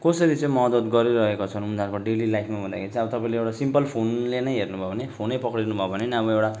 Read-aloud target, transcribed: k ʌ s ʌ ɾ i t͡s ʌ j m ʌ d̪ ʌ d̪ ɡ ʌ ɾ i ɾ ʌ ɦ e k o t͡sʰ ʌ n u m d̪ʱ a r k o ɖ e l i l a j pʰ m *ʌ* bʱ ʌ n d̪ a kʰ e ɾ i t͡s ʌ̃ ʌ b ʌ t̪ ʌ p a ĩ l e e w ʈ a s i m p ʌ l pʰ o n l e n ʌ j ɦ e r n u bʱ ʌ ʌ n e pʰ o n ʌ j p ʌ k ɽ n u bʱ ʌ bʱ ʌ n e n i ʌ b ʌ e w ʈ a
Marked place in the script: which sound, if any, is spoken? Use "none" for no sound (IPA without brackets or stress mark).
a